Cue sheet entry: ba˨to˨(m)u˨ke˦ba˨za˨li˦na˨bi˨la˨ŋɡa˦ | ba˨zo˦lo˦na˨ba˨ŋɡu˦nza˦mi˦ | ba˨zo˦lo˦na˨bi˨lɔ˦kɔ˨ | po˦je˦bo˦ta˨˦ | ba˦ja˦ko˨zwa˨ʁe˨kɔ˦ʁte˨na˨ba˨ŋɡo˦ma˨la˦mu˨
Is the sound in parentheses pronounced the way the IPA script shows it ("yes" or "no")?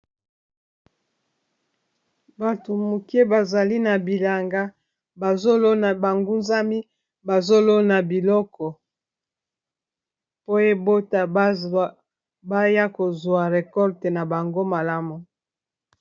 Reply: yes